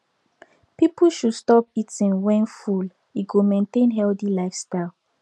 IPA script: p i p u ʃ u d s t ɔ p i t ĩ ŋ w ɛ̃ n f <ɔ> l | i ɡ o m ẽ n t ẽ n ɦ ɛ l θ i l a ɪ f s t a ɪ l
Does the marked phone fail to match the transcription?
yes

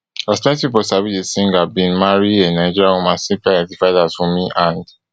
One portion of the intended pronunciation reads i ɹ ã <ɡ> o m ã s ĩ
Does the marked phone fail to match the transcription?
yes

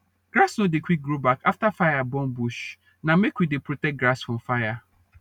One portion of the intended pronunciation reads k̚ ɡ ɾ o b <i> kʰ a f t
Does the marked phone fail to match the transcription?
yes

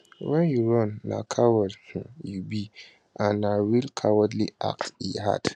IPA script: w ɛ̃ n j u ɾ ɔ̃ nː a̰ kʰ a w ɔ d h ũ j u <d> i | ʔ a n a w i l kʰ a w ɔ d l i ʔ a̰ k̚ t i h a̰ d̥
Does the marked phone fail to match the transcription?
yes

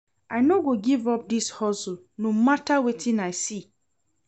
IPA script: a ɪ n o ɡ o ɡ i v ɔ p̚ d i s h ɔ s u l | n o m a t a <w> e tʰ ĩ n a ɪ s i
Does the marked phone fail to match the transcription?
no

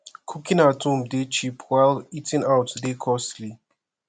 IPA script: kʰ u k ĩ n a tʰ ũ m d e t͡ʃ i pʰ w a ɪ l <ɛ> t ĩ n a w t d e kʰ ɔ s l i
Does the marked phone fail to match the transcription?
yes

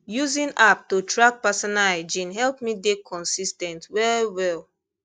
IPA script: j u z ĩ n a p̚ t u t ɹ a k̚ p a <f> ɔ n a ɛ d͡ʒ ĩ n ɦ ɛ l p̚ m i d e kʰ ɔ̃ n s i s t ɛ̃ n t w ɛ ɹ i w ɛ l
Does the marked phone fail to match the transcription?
yes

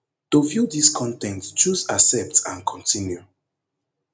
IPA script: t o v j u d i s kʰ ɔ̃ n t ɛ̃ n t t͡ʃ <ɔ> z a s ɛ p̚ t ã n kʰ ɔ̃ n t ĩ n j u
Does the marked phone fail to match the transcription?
yes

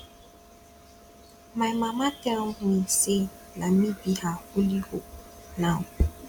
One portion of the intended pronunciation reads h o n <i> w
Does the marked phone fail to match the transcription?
yes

